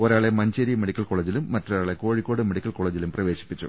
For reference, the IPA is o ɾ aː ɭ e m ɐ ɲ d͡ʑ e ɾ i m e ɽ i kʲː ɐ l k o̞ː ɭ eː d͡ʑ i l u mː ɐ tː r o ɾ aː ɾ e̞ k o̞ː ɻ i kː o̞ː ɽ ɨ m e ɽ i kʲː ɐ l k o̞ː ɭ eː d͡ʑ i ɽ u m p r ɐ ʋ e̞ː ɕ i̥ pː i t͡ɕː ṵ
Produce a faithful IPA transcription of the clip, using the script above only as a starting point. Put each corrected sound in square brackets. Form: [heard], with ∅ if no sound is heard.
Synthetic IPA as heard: o ɾ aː ɭ e m ɐ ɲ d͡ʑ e ɾ i m e ɽ i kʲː ɐ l k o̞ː ɭ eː d͡ʑ i l u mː ɐ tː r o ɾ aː [ɭ] e̞ k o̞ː ɻ i kː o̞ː ɽ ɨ m e ɽ i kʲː ɐ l k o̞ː ɭ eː d͡ʑ i [l] u m p r ɐ ʋ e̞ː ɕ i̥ pː i t͡ɕː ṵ